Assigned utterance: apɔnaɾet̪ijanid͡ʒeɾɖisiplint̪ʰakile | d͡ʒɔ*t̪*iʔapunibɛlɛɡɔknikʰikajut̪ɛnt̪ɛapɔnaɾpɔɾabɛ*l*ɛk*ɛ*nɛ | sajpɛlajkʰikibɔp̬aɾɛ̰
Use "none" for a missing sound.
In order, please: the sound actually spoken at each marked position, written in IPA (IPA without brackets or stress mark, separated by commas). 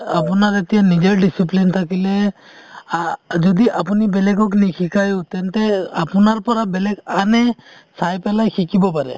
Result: d̪, l, a